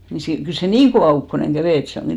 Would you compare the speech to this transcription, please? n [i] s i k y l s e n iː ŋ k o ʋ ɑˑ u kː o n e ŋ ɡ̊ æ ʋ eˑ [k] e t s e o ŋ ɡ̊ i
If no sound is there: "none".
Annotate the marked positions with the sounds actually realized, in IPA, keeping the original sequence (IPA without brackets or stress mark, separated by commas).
i, none